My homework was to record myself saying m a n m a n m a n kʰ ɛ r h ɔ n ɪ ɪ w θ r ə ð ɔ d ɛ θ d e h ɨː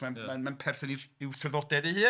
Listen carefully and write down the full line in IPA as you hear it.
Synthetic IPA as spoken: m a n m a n m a n pʰ ɛ r θ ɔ n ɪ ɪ w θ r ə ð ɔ d ɛ d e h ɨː